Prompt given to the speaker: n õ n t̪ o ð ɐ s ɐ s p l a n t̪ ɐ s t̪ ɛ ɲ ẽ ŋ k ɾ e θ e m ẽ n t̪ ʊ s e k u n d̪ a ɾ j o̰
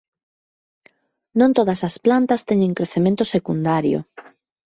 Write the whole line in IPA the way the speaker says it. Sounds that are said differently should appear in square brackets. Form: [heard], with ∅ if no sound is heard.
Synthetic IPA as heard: n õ n t̪ o ð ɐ s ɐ s p l a n t̪ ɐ s t̪ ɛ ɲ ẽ ŋ k ɾ e θ e m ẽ n t̪ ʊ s e k u n d̪ a ɾ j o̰

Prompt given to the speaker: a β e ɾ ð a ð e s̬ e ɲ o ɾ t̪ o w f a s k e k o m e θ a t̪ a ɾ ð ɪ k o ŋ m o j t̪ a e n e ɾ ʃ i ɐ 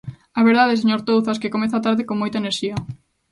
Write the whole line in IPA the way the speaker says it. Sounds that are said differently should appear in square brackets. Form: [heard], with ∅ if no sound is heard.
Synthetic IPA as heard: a β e ɾ ð a ð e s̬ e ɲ o ɾ t̪ o w [θ] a s k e k o m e θ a t̪ a ɾ ð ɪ k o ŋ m o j t̪ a e n e ɾ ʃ i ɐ

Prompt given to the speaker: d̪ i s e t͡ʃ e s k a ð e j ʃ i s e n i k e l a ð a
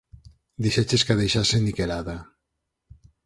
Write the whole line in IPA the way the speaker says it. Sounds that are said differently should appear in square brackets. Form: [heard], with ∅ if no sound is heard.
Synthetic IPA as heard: d̪ i [ʃ] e t͡ʃ e s k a ð e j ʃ [a] s e n i k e l a ð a

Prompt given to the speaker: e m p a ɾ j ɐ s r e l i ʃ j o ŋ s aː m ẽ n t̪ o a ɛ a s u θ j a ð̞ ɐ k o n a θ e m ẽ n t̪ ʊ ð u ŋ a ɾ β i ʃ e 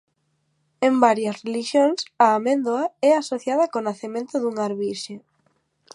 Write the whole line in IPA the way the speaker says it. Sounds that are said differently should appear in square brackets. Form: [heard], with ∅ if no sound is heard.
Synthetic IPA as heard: e m [b] a ɾ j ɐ s r e l i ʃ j o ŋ s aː m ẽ n [d̪] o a ɛ a s [o] θ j a ð̞ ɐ k o n a θ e m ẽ n t̪ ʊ ð u ŋ a ɾ β i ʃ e

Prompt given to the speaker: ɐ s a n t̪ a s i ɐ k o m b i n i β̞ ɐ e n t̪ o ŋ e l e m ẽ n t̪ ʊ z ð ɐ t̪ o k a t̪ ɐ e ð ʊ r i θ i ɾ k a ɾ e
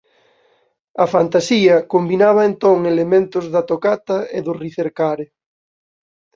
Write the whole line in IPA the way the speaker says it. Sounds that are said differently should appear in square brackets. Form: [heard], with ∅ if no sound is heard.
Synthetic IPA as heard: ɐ [f] a n t̪ a s i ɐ k o m b i n [a] β̞ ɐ e n t̪ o ŋ e l e m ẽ n t̪ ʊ z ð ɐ t̪ o k a t̪ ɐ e ð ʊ r i θ [e] ɾ k a ɾ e

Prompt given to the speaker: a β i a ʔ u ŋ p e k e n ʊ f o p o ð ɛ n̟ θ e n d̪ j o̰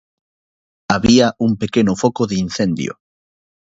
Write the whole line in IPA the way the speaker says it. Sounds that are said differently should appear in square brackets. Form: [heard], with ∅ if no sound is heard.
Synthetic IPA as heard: a β i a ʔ u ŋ p e k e n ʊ f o [k] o ð [i] n̟ θ e n d̪ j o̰

